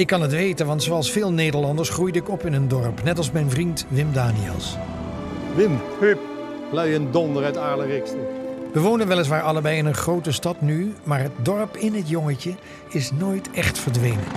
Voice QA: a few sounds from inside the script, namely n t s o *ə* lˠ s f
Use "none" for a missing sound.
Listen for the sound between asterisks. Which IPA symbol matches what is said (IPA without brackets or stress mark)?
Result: ɑ